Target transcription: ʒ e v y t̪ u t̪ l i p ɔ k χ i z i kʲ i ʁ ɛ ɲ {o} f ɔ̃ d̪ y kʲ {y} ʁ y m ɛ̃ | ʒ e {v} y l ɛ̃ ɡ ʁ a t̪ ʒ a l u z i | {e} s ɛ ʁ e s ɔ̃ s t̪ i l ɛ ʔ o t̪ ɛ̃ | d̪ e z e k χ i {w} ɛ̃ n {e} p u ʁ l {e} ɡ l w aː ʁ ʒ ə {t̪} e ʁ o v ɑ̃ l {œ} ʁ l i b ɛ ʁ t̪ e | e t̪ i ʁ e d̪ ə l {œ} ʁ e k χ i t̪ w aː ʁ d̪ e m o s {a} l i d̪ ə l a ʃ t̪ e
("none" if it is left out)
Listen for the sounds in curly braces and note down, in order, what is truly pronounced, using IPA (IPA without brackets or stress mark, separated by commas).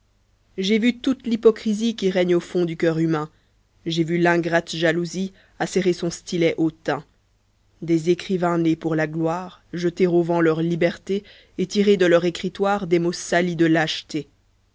o, œ, v, a, v, e, a, t̪, œ, œ, a